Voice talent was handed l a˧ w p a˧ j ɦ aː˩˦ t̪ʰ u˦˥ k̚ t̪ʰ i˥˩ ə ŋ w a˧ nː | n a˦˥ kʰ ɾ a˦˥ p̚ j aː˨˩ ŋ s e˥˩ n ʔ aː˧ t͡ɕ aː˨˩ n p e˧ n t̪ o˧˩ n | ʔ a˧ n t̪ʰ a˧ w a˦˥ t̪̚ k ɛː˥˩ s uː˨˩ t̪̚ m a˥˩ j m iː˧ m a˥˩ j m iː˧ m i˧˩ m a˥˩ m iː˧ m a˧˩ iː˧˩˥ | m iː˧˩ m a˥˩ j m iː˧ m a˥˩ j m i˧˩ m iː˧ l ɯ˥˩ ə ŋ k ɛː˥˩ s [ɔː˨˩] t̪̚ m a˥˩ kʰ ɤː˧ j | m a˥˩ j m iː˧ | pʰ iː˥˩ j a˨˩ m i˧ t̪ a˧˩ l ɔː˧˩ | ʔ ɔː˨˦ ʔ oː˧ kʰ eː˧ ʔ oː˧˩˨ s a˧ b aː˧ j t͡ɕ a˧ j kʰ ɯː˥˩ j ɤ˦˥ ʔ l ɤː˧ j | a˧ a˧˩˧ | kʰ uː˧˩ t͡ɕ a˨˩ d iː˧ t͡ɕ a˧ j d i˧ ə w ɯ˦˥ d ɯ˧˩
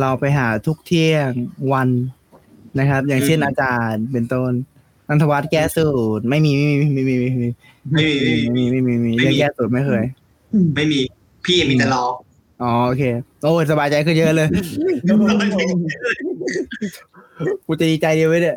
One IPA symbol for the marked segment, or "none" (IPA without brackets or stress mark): uː˨˩